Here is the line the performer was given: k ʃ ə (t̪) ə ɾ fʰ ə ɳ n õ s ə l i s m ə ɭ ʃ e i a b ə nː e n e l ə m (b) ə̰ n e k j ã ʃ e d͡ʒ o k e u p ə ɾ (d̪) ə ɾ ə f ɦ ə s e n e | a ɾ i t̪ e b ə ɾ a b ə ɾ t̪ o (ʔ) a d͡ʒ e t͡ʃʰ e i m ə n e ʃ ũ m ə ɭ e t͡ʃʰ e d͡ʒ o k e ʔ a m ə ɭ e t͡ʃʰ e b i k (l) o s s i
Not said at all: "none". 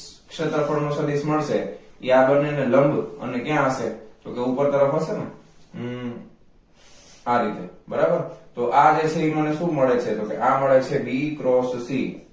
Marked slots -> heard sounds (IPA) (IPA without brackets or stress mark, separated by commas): t̪, b, t̪, ʔ, ɾ